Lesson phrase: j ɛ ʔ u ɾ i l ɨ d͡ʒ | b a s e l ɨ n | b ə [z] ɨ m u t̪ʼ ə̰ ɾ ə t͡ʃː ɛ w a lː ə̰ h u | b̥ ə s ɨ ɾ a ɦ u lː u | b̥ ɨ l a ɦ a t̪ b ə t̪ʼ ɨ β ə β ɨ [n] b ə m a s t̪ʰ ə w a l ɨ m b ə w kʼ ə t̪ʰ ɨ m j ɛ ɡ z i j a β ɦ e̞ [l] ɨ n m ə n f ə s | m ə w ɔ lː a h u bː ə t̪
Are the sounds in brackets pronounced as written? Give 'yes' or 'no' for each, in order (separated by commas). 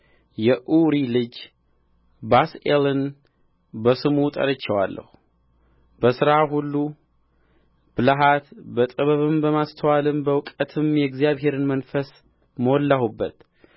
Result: no, no, no